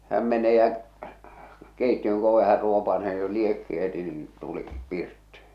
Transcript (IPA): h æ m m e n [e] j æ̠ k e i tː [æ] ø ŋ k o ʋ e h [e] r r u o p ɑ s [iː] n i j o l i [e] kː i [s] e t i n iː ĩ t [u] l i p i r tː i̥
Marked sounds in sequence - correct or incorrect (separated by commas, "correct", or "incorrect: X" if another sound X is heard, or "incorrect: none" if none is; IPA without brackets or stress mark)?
correct, incorrect: i, incorrect: æ, incorrect: eː, correct, incorrect: h, correct